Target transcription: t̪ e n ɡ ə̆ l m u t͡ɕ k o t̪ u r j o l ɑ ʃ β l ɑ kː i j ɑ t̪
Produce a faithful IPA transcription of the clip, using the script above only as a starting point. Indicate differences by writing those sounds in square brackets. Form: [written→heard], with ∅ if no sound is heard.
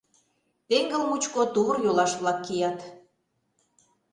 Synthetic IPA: t̪ e [n→ŋ] ɡ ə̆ l m u t͡ɕ k o t̪ u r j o l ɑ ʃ β l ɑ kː i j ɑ t̪